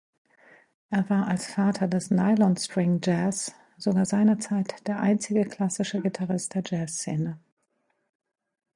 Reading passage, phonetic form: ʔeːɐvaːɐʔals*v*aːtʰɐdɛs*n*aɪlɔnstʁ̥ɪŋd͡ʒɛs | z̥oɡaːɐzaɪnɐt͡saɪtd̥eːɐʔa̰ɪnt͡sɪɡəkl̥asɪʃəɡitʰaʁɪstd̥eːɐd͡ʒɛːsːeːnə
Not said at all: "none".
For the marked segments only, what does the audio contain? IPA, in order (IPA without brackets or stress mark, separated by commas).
f, n